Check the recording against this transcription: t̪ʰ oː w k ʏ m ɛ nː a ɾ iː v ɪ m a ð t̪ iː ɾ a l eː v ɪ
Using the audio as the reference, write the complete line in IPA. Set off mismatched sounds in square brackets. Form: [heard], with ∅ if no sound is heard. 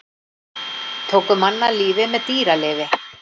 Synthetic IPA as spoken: t̪ʰ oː w k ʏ m [a] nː a [l] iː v ɪ m [ɛ] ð t̪ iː ɾ a l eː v ɪ